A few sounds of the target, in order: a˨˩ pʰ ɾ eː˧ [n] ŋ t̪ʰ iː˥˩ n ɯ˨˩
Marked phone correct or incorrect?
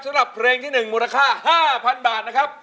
incorrect